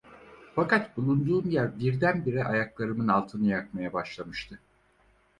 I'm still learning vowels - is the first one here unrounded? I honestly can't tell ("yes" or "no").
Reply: yes